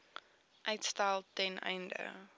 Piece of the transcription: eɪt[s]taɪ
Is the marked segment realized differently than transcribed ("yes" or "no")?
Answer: no